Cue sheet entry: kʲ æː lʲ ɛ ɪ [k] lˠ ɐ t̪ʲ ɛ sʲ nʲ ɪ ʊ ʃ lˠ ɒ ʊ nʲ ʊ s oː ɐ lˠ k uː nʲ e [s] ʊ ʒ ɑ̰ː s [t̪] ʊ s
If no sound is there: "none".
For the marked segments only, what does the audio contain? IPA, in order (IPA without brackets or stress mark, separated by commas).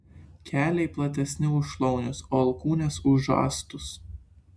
p, s, t̪